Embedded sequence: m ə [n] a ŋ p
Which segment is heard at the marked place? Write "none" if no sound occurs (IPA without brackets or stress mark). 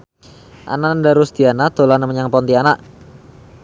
ɲ